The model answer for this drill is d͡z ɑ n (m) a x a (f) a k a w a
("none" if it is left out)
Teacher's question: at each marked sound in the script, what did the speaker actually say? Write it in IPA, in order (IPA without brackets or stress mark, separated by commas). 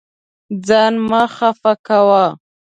m, f